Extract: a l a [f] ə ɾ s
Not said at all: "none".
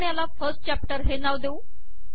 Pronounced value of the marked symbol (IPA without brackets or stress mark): f